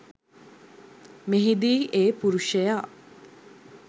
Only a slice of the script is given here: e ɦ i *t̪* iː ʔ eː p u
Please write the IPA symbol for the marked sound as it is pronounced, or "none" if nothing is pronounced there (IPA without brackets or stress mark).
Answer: d̪